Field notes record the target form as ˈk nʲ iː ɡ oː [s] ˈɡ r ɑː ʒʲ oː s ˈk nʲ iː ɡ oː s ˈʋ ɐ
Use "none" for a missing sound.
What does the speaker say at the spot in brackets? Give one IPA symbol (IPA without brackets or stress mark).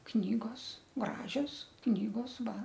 s